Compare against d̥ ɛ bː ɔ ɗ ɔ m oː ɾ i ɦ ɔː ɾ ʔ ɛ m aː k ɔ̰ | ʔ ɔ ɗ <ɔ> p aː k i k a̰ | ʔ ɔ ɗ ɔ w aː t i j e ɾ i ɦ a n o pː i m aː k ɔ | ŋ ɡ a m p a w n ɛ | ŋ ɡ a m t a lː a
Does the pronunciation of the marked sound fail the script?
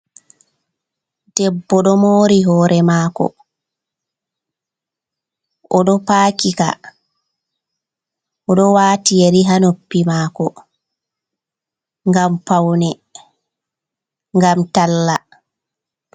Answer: no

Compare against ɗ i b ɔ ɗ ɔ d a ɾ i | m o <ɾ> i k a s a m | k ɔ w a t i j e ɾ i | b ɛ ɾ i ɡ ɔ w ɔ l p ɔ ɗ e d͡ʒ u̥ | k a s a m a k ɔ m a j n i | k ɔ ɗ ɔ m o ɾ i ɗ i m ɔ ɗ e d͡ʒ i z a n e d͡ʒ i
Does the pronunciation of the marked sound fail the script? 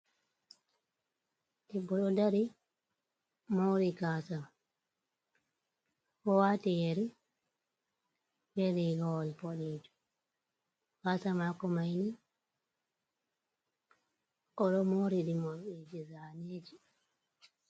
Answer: no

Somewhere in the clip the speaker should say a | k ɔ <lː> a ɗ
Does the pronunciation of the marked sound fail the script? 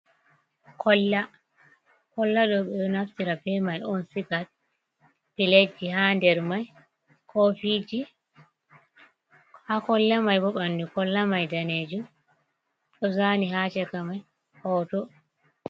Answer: no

